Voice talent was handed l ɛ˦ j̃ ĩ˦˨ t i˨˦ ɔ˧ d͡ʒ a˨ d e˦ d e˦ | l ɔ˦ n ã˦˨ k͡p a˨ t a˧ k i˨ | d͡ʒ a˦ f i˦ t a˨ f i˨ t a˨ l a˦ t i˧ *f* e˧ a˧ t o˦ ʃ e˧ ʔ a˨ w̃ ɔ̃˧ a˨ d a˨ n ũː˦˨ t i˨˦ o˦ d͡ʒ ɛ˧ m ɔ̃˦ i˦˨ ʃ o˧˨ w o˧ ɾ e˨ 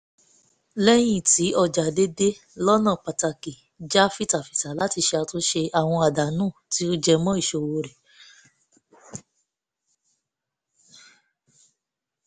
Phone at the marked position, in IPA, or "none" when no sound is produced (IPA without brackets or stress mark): ʃ